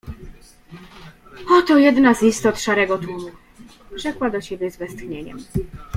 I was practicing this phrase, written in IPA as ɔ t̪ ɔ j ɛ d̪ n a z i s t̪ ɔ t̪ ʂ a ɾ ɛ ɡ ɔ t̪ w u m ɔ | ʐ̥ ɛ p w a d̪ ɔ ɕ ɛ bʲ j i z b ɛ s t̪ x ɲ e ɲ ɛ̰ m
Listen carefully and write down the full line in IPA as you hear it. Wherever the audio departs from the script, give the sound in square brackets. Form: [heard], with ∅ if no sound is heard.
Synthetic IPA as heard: ɔ t̪ ɔ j ɛ d̪ n a z i s t̪ ɔ t̪ ʂ a ɾ ɛ ɡ ɔ t̪ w u m [u] | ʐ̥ ɛ [k] w a d̪ ɔ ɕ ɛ bʲ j [ɛ] z [v] ɛ s t̪ x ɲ e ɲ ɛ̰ m